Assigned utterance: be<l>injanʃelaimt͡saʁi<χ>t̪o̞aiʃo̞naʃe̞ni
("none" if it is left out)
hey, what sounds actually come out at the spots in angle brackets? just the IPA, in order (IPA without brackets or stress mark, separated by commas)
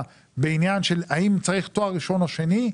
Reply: none, χ